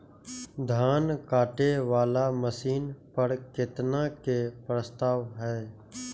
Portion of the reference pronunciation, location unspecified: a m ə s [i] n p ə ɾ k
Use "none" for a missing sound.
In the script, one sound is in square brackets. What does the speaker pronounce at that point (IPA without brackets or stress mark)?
iː